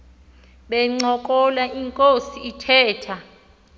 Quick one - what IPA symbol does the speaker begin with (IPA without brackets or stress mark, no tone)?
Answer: ɓ